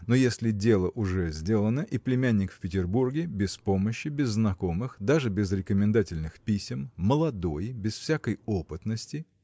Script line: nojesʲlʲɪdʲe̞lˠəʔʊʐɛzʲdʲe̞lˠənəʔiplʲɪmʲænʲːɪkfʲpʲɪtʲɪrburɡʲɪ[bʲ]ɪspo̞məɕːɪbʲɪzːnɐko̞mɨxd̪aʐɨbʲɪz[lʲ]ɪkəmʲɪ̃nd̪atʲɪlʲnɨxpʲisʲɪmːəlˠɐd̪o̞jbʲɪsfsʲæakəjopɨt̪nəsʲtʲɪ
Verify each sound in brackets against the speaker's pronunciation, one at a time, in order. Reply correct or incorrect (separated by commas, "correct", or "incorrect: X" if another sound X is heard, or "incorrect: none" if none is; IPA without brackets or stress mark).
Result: correct, incorrect: ɾʲ